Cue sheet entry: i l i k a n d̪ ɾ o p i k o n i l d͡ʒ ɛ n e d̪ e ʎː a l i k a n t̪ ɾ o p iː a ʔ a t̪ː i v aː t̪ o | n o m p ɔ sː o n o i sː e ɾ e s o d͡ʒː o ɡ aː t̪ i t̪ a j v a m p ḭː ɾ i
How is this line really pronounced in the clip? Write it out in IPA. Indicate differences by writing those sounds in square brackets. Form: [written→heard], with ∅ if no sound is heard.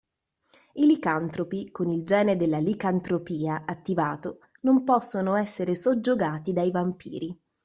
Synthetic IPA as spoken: i l i k a n [d̪→t̪] ɾ o p i k o n i l d͡ʒ [ɛ→ɛː] n e d̪ e [ʎː→lː] a l i k a n t̪ ɾ o p iː a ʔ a t̪ː i v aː t̪ o | n o m p ɔ sː o n o [i→ɛ] sː e ɾ e s o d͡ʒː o ɡ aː t̪ i [t̪→d̪] a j v a m p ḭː ɾ i

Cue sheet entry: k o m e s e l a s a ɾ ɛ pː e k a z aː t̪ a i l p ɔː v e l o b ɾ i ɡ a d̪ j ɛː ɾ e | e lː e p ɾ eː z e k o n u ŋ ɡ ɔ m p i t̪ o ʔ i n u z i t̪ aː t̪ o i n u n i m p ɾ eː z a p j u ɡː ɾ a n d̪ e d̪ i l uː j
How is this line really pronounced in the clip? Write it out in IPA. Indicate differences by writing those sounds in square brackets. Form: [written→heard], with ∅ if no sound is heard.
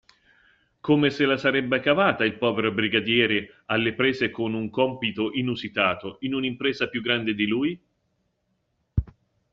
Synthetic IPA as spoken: k o m e s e l a s a ɾ ɛ [pː→bː] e k a [z→v] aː t̪ a i l p ɔː v e [l→ɾ] o b ɾ i ɡ a d̪ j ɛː ɾ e | [e→a] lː e p ɾ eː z e k o n u ŋ [ɡ→k] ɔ m p i t̪ o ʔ i n u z i t̪ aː t̪ o i n u n i m p ɾ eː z a p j u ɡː ɾ a n d̪ e d̪ i l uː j

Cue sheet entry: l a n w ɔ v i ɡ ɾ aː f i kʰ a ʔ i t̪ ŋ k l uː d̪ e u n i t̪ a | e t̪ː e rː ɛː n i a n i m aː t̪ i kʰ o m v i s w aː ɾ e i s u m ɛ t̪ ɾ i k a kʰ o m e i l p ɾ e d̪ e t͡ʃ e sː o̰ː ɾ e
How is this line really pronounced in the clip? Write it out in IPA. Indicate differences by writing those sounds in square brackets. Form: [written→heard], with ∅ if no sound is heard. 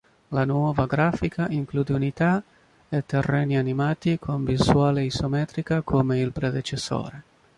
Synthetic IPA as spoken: l a n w ɔ v [i→a] ɡ ɾ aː f i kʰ a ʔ i [t̪→∅] ŋ k l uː d̪ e u n i t̪ a | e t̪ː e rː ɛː n i a n i m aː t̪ i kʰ o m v i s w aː [ɾ→l] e i s [u→o] m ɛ t̪ ɾ i k a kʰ o m e i l p ɾ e d̪ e t͡ʃ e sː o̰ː ɾ e

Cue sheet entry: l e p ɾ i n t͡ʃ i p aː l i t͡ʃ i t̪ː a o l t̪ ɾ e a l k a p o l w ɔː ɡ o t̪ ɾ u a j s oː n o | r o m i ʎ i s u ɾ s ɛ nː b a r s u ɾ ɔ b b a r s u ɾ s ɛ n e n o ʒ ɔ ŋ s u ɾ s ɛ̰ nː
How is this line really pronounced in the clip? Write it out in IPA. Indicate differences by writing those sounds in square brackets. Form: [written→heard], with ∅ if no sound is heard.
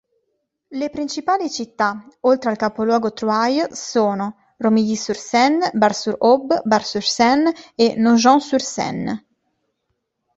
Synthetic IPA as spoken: l e p ɾ i n t͡ʃ i p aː l i t͡ʃ i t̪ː a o l t̪ ɾ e a l k a p o l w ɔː ɡ o t̪ ɾ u a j s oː n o | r o m i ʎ i s u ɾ s ɛ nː b a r s u ɾ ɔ b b a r s u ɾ s ɛ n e n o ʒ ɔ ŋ s u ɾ s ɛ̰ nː

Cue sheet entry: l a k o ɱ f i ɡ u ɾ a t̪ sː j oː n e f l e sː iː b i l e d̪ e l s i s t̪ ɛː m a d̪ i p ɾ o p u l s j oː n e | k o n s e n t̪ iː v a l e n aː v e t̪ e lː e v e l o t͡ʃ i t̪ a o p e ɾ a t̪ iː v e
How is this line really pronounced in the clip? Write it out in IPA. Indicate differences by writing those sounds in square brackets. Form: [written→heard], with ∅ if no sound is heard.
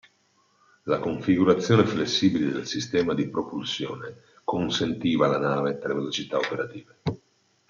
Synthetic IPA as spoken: l a k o ɱ f i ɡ u ɾ a t̪ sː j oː n e f l e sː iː b i l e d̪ e l s i s t̪ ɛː m a d̪ i p ɾ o p u l s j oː n e | k o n s e n t̪ iː v a l [e→a] n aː v e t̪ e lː e v e l o t͡ʃ i t̪ a o p e ɾ a t̪ iː v e

